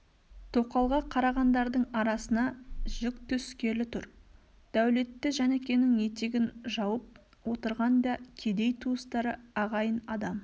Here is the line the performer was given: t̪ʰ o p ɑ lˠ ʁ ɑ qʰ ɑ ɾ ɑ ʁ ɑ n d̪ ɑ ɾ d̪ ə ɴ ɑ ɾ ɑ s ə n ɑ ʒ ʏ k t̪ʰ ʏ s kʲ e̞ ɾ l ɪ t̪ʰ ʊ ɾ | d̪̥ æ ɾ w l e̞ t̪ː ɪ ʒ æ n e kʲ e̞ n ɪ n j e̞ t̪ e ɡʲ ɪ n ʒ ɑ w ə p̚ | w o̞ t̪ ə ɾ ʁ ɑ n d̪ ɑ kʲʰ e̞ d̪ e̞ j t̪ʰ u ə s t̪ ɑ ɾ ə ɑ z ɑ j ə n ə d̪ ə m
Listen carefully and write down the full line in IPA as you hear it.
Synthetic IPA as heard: t̪ʰ o q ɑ lˠ ʁ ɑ qʰ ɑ ɾ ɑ ʁ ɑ n d̪ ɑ ɾ d̪ ə ɴ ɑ ɾ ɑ s ə n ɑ ʒ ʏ k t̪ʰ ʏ s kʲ e̞ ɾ l ɪ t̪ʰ ʊ ɾ | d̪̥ æ w l e̞ t̪ː ɪ ʒ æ n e kʲ e̞ n ɪ ŋ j e̞ t̪ e ɡʲ ɪ n ʒ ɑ w ə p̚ | w o̞ t̪ ə ɾ ʁ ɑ n d̪ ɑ kʲʰ e̞ d̪ e̞ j t̪ʰ u ə s t̪ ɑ ɾ ə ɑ ʁ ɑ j ə n ɑ d̪ ɑ m